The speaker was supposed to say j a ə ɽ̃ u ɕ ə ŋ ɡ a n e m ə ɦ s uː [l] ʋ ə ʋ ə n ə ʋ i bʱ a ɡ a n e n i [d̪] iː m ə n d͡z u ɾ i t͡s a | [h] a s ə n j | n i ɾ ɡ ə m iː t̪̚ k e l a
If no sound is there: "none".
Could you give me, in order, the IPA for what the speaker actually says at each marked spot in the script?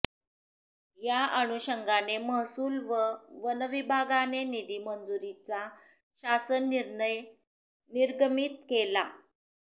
l, d̪, ɕ

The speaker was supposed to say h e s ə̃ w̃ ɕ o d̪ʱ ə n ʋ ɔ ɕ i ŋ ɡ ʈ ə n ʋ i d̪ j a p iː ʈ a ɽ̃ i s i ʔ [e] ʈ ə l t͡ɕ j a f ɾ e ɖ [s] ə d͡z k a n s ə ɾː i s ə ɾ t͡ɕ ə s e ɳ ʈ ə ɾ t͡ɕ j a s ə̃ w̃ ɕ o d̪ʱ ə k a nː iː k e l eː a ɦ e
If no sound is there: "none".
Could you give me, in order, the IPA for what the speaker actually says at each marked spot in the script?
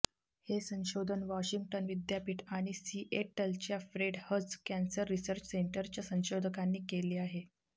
e, h

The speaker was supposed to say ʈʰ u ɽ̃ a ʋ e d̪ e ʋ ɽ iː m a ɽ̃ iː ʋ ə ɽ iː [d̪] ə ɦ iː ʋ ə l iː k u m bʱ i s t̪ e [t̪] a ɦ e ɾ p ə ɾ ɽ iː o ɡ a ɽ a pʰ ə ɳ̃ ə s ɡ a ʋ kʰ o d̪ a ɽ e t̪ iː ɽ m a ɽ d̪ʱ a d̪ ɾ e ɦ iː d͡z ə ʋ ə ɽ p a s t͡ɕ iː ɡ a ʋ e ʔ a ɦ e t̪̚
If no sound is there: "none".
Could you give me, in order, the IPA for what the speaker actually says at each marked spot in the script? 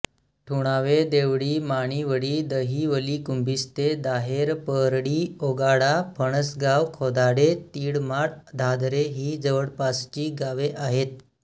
d̪, d̪

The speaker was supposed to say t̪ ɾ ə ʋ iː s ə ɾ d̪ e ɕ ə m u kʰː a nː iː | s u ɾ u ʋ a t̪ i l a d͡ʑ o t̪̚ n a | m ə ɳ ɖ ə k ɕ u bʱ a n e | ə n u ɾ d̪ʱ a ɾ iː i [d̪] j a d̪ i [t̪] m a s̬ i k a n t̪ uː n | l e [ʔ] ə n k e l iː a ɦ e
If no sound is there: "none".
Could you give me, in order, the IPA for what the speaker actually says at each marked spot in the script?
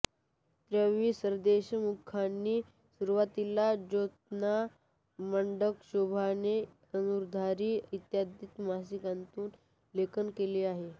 t̪, t̪, k

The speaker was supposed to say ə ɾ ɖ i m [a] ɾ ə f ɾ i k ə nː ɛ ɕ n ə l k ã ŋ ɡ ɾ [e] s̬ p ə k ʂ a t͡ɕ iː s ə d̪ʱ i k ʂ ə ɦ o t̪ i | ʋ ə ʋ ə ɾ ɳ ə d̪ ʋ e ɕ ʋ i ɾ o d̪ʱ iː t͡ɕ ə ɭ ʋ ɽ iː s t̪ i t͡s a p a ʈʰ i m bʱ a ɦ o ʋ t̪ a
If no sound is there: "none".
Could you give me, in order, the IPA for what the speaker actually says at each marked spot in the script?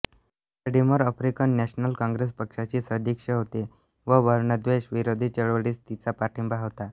ə, e

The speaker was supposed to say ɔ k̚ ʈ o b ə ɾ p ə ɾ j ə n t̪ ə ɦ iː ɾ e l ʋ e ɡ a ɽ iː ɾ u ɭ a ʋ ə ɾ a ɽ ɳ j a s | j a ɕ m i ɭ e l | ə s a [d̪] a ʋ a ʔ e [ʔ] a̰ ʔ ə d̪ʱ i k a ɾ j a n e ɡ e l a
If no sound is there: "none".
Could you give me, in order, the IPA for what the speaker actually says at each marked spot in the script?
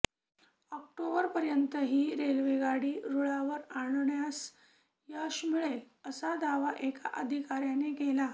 d̪, k

